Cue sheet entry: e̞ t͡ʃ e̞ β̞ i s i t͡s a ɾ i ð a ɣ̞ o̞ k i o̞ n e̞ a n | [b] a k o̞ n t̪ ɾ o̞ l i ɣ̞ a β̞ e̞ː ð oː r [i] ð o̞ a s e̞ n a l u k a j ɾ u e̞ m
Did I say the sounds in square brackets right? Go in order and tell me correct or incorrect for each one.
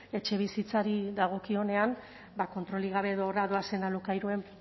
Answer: correct, incorrect: a

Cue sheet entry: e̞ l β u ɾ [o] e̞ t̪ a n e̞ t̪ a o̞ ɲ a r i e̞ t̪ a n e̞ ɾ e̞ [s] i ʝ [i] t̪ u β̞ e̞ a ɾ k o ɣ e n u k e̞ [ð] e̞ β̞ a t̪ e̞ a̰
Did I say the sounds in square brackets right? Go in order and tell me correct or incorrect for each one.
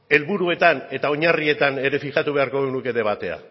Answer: incorrect: u, incorrect: f, incorrect: a, correct

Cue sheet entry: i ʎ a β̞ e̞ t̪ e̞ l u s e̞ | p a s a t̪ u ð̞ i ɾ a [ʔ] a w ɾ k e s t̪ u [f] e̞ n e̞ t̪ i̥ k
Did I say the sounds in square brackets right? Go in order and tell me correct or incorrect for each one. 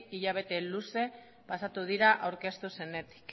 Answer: correct, incorrect: s

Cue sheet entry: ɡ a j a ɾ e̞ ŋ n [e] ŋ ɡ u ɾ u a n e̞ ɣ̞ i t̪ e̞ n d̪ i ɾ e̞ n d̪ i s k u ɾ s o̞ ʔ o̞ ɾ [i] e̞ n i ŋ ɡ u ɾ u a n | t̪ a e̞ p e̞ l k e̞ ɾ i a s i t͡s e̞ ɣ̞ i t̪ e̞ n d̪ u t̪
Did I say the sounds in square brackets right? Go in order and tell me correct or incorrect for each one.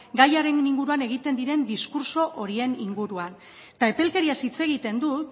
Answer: incorrect: i, correct

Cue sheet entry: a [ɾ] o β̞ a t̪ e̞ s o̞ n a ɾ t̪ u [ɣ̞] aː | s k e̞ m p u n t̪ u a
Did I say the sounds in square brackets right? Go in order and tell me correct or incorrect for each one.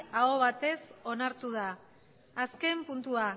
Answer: incorrect: none, incorrect: ð̞

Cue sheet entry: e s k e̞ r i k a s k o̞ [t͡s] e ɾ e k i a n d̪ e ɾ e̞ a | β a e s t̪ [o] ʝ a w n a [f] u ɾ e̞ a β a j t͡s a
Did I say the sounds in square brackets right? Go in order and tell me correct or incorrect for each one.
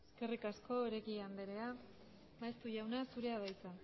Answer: incorrect: none, incorrect: u, incorrect: s

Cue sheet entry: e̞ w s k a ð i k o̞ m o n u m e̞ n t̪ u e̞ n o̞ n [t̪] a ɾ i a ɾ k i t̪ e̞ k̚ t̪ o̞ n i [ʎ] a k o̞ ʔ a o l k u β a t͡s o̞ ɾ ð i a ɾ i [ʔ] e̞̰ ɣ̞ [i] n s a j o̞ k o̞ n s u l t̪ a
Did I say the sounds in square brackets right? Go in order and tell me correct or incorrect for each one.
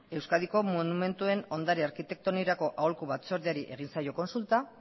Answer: incorrect: d̪, incorrect: ɾ, correct, correct

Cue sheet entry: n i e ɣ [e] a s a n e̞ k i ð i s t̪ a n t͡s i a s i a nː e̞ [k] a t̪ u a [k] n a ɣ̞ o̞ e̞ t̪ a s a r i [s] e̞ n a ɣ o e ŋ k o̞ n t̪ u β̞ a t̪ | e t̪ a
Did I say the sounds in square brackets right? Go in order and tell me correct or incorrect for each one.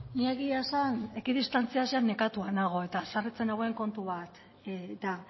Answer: incorrect: i, correct, incorrect: none, incorrect: t͡s

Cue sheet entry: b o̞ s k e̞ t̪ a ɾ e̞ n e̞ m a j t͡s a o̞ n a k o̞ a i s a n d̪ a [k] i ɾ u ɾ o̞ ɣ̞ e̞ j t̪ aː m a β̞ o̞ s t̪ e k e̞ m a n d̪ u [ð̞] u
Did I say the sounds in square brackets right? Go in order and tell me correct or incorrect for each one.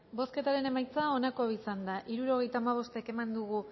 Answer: incorrect: ʔ, incorrect: ɣ̞

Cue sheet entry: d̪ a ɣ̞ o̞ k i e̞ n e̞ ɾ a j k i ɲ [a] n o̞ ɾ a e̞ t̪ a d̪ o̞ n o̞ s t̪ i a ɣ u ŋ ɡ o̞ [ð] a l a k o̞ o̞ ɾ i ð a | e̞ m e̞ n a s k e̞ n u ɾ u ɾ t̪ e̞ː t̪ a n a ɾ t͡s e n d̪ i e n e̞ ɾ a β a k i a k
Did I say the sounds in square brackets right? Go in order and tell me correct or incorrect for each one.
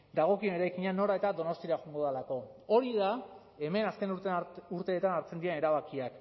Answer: correct, correct

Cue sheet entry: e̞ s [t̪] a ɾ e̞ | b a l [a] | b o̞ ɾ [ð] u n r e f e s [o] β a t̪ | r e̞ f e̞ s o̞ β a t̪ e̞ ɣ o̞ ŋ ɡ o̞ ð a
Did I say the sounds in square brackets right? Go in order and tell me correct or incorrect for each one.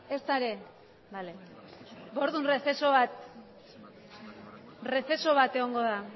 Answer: correct, incorrect: e, correct, correct

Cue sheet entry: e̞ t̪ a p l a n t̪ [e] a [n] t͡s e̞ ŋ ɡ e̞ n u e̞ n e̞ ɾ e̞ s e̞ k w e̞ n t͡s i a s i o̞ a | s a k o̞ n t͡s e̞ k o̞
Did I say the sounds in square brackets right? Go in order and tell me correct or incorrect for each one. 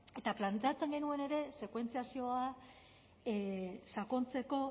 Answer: correct, incorrect: none

